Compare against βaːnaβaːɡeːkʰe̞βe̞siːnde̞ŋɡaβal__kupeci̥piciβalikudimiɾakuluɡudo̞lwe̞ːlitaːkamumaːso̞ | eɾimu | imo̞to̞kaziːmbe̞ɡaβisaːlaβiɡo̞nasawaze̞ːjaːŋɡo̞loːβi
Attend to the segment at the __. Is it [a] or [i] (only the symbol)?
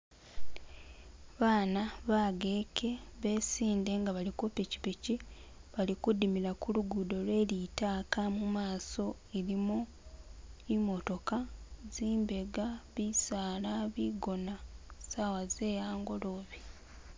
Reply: i